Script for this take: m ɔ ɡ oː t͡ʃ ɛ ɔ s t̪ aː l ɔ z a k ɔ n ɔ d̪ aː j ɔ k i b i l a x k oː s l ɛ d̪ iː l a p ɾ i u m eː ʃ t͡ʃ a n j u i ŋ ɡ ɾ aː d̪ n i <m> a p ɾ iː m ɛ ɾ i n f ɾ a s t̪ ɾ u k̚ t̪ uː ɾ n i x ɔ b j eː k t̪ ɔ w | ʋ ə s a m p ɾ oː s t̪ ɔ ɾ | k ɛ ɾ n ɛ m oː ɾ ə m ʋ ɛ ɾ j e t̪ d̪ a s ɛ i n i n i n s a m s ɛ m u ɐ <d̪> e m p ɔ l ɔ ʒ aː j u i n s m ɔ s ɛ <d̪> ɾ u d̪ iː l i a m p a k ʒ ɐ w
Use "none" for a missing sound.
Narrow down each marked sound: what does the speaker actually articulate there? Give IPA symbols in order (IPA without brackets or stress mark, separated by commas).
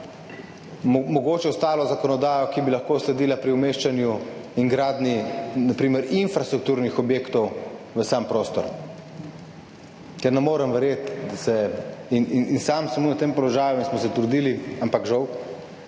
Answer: n, t̪, t̪